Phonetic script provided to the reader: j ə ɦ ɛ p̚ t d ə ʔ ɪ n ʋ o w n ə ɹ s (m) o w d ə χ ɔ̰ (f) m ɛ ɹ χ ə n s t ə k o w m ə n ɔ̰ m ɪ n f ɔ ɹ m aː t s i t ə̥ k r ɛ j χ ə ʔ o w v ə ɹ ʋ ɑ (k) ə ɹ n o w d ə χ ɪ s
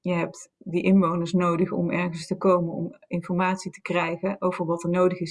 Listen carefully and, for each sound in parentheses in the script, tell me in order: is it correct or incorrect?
incorrect: n, incorrect: none, incorrect: t

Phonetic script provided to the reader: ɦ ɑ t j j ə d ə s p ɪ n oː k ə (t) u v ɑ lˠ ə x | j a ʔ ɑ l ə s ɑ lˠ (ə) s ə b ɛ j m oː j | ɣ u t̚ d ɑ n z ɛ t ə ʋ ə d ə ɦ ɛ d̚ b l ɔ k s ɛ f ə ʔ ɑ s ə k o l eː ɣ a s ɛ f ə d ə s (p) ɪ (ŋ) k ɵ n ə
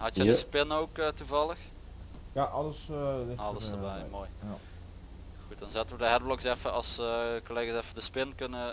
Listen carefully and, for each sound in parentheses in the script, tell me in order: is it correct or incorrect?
correct, correct, correct, incorrect: n

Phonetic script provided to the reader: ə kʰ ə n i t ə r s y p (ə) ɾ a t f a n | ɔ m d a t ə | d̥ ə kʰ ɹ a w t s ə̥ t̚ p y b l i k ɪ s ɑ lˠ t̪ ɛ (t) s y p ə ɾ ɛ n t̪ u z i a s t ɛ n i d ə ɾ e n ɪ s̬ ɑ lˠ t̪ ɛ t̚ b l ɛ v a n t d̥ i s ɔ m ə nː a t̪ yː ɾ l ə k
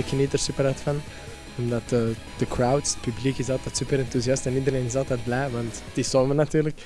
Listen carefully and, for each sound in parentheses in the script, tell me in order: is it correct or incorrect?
correct, correct

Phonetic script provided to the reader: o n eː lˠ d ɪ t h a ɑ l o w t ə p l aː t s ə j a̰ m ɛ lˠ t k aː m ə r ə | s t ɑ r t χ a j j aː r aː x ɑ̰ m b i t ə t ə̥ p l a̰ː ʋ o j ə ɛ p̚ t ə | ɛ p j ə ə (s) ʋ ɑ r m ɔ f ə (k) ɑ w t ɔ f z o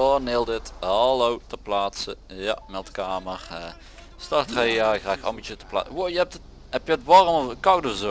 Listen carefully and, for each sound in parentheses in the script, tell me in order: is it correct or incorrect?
incorrect: t, correct

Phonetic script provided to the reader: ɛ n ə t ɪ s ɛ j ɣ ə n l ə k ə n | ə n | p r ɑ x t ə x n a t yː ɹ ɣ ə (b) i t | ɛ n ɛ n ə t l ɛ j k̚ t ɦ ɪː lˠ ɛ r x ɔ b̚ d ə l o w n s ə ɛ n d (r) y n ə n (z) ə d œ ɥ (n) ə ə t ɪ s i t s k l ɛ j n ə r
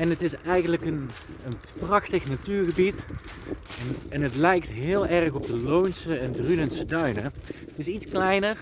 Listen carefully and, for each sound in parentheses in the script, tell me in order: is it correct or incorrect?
correct, correct, incorrect: s, correct

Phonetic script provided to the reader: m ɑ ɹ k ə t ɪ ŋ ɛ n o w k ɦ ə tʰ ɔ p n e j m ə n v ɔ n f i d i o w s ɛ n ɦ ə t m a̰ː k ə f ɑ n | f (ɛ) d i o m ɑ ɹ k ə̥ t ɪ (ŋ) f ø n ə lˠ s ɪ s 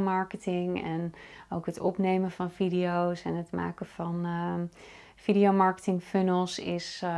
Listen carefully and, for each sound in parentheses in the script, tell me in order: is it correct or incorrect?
incorrect: i, correct

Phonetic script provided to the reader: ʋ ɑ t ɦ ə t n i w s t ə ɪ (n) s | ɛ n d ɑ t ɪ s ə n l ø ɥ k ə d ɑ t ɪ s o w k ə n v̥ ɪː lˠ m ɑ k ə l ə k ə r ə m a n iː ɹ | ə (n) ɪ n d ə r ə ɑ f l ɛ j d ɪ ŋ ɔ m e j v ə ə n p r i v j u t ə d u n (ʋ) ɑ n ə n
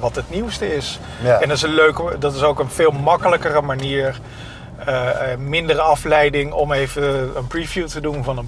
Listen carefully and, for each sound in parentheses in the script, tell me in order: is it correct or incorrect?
incorrect: none, incorrect: m, incorrect: v

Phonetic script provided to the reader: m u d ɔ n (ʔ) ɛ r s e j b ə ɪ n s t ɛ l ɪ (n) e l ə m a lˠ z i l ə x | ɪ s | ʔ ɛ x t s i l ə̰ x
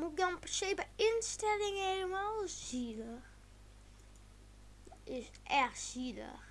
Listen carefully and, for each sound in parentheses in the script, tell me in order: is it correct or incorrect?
incorrect: p, incorrect: ŋ

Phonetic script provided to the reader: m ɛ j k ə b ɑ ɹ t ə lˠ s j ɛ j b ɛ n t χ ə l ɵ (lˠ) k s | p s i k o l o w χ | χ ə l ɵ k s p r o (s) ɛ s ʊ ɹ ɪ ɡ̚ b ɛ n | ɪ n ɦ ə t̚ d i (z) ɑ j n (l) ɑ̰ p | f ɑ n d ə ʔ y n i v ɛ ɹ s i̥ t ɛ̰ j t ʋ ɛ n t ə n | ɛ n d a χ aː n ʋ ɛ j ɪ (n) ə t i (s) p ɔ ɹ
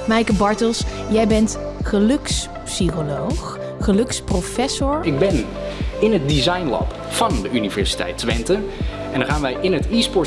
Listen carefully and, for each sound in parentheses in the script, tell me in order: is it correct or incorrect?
incorrect: none, incorrect: f, correct, correct, correct, correct

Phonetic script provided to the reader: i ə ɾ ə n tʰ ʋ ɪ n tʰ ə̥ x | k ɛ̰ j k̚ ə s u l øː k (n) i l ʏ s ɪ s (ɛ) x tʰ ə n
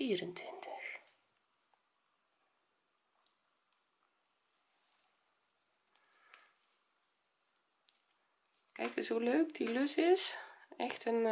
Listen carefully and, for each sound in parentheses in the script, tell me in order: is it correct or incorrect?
incorrect: d, correct

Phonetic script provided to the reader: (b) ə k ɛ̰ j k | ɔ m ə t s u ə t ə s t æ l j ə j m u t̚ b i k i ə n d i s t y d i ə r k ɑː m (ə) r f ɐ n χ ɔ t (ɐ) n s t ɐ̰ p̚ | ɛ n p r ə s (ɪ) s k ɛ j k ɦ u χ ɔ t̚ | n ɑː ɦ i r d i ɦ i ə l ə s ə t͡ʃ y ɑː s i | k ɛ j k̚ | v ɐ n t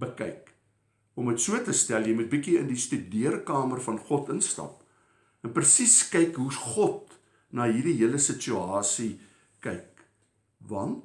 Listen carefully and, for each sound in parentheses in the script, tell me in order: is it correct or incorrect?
correct, correct, incorrect: ə, incorrect: i

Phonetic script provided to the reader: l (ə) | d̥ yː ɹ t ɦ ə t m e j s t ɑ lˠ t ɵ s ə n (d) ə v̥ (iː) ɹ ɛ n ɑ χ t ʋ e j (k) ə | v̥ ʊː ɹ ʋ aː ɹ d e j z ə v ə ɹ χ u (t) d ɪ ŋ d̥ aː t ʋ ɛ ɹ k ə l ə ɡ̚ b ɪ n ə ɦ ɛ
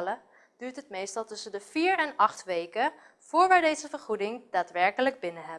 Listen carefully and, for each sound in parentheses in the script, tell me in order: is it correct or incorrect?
correct, correct, correct, correct, incorrect: none

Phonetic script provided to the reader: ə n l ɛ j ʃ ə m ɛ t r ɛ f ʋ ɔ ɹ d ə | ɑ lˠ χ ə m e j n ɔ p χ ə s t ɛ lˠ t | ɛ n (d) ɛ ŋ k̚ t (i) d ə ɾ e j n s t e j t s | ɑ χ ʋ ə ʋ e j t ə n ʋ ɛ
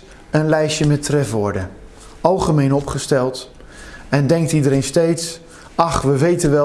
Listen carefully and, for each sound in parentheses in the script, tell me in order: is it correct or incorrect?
correct, correct

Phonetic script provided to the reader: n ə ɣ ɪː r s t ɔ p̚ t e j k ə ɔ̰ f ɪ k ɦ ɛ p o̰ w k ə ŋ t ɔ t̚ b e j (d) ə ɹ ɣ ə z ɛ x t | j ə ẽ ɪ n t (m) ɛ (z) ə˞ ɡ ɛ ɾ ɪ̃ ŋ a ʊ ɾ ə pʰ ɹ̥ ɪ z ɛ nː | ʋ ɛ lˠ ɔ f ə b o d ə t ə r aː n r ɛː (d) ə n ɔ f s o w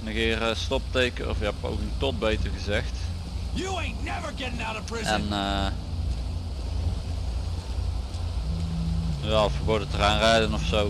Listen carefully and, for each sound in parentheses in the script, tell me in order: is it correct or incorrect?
incorrect: t, incorrect: n, incorrect: v, correct

